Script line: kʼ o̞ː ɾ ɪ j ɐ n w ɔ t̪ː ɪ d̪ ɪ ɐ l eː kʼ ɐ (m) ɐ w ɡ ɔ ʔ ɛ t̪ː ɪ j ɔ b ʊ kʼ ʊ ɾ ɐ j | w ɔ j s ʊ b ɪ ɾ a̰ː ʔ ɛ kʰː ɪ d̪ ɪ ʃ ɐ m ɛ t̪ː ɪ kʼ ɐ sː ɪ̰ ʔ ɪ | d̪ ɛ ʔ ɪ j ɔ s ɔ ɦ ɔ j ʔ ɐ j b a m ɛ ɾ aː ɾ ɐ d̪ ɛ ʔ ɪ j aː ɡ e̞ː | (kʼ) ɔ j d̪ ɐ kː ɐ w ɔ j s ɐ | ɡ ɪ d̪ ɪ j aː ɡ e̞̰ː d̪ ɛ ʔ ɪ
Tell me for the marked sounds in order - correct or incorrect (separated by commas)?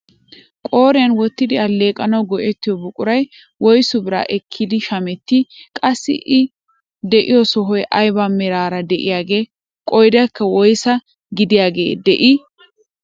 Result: incorrect, correct